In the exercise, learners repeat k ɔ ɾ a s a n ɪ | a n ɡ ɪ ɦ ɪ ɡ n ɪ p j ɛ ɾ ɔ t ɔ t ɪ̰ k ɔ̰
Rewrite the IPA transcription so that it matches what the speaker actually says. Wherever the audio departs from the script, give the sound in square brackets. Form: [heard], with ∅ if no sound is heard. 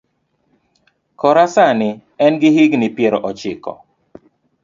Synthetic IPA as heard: k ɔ ɾ a s a n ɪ | [ɛ] n ɡ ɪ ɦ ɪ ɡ n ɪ p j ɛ ɾ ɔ [ʔ] ɔ [t͡ʃ] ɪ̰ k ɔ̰